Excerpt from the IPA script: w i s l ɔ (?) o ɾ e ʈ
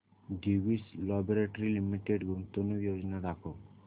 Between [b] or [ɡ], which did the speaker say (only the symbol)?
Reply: b